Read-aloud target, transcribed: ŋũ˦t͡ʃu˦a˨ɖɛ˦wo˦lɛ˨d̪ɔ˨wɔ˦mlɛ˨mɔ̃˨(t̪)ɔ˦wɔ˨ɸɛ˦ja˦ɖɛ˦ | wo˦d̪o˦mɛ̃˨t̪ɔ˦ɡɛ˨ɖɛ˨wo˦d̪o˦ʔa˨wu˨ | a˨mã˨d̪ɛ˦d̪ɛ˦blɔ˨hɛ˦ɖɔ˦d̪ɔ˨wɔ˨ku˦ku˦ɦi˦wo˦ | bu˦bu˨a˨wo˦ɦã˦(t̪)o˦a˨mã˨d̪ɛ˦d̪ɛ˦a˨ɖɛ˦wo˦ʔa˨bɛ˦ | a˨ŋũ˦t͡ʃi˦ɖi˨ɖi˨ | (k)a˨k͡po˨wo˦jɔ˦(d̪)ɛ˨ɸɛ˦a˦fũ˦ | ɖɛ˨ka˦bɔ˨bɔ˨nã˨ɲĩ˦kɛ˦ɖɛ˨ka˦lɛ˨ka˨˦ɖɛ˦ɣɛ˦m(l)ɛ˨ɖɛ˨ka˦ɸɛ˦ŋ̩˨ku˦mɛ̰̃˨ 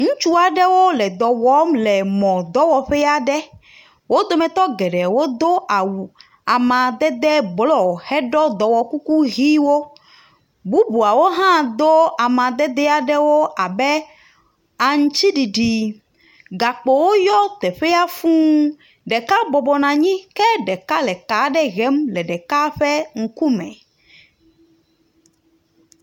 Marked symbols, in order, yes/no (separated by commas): no, no, no, no, yes